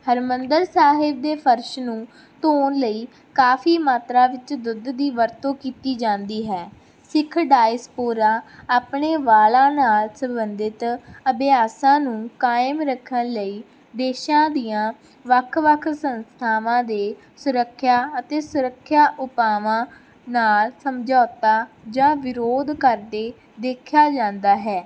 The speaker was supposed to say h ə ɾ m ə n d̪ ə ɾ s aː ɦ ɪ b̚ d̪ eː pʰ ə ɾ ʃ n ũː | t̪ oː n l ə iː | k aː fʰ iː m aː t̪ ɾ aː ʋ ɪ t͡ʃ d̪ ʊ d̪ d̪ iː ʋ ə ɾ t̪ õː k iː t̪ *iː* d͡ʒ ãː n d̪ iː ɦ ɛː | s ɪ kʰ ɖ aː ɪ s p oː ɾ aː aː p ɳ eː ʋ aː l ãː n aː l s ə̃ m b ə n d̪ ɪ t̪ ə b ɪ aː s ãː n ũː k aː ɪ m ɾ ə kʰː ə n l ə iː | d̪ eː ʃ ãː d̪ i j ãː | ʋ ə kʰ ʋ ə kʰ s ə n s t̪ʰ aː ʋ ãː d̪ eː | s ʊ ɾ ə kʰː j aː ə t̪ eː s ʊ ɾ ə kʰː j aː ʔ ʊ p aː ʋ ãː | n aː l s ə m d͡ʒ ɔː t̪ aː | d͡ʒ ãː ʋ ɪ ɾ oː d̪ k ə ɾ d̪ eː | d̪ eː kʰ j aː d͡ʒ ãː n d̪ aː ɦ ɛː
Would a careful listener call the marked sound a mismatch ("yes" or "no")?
no